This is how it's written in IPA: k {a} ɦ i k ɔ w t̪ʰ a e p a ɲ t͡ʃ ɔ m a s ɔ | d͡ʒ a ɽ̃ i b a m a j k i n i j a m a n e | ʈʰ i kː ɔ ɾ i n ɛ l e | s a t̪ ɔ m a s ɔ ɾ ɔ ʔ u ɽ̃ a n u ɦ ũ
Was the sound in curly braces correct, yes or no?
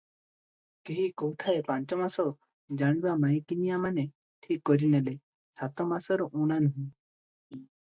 no